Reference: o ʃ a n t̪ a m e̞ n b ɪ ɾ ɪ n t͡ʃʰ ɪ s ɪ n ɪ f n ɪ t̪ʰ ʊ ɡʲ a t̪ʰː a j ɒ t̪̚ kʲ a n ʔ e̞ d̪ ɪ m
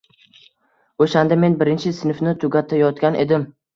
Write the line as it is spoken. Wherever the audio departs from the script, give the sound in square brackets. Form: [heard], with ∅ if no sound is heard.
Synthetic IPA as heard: o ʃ a n [d̪] a m e̞ n b ɪ ɾ ɪ n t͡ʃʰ ɪ s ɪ n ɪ f n ɪ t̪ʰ ʊ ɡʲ a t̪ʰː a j ɒ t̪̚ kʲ a n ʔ e̞ d̪ ɪ m